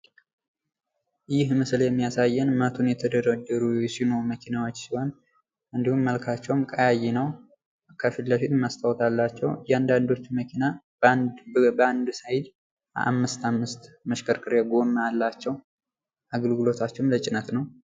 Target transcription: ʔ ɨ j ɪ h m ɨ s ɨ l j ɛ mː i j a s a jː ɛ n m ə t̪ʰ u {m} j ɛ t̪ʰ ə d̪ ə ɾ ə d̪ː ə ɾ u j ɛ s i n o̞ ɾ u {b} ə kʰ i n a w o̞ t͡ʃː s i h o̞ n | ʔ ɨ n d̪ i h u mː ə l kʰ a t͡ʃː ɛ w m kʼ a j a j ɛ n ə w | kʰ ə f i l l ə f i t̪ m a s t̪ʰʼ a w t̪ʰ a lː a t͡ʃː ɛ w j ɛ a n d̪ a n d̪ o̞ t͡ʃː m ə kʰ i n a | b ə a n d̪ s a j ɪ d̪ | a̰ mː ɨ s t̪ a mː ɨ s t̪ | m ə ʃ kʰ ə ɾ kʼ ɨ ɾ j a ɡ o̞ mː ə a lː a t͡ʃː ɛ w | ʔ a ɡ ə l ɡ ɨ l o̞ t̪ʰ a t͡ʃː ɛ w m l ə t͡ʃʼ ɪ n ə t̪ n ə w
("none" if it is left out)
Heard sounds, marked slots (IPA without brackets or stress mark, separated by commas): n, m